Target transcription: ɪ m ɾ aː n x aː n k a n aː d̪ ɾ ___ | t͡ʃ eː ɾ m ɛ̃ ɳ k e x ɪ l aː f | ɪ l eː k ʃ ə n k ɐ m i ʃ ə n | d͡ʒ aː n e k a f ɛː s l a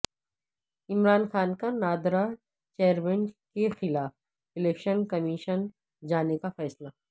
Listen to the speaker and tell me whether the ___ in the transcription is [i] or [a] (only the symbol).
a